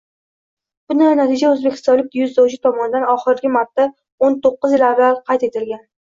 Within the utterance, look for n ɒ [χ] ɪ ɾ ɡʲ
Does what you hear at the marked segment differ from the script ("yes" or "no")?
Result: no